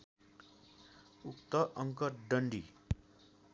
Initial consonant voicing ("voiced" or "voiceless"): voiceless